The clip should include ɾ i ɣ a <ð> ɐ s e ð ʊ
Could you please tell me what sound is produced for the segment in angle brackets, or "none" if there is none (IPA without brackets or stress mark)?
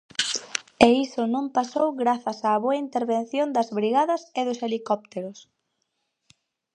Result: ð